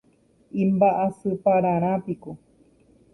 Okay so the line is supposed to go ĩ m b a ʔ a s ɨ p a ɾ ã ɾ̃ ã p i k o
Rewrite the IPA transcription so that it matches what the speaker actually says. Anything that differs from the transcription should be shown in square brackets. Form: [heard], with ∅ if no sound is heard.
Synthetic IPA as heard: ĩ m b a ʔ a s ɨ p a ɾ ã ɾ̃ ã p i k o